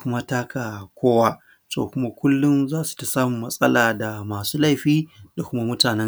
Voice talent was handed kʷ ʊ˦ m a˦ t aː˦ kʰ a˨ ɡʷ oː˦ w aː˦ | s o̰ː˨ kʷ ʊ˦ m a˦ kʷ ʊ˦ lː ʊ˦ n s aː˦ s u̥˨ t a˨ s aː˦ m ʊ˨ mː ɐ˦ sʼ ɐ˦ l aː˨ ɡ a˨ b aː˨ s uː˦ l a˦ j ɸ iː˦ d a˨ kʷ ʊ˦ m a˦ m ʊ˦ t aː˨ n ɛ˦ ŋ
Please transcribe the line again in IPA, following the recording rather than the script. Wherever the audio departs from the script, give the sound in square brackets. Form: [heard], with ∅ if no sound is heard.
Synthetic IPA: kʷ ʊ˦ m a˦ t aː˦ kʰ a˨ [kʷ] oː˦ w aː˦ | s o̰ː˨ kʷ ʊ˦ m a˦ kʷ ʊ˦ lː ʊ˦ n [z] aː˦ s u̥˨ t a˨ s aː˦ m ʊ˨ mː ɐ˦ sʼ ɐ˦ l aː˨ [d] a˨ [m] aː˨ s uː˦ l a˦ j ɸ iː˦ d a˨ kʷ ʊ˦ m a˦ m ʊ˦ t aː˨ n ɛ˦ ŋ